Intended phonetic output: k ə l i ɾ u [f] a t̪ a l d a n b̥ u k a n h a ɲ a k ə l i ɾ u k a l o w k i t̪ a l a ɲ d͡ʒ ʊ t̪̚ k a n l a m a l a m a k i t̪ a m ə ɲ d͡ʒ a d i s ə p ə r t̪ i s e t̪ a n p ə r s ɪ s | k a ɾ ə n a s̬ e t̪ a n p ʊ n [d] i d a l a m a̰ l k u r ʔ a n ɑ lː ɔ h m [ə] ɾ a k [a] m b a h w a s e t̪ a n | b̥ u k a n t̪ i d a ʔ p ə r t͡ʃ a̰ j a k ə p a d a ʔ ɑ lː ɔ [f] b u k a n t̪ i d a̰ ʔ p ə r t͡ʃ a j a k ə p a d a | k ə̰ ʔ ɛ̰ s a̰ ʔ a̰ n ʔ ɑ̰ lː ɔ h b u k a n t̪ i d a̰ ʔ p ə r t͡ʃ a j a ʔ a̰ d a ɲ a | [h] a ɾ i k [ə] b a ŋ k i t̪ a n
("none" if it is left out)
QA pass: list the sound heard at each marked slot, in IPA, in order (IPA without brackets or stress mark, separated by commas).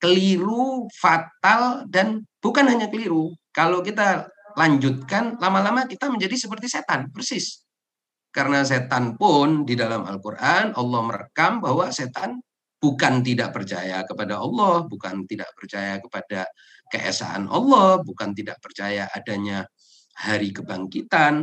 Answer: f, d, ə, a, h, h, ə